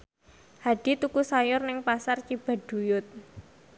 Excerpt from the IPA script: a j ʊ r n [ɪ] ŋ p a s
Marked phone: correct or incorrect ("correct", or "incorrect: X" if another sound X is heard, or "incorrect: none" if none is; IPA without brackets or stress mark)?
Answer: correct